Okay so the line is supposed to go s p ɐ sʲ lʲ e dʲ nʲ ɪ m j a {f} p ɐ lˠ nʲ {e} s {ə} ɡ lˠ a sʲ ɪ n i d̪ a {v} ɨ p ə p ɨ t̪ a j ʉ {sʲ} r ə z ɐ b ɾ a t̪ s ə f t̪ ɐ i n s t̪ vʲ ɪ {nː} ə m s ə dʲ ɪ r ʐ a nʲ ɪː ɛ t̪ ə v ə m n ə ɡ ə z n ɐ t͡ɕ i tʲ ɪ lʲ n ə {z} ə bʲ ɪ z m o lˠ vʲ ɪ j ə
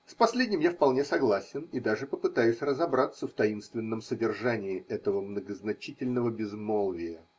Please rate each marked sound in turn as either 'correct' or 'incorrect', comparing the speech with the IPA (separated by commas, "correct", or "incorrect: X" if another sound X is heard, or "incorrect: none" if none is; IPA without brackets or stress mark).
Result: correct, correct, incorrect: ɐ, incorrect: ʐ, correct, correct, incorrect: v